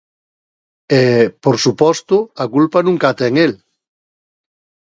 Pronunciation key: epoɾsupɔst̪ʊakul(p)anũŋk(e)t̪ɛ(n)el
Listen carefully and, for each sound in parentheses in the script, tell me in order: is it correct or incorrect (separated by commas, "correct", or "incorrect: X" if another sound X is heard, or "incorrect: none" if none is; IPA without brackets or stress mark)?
correct, incorrect: a, incorrect: ŋ